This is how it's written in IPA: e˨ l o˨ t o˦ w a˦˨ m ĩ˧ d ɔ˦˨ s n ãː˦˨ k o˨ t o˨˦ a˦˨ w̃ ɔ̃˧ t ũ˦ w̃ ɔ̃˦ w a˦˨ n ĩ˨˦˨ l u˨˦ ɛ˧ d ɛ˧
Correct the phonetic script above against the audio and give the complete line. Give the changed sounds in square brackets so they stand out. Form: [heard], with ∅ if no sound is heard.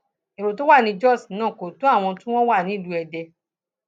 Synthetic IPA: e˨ [ɾ] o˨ t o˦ w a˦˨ [n] ĩ˧ [d͡ʒ] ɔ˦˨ s n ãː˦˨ k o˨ t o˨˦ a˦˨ w̃ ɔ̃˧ t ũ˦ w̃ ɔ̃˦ w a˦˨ n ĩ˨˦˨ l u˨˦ ɛ˧ d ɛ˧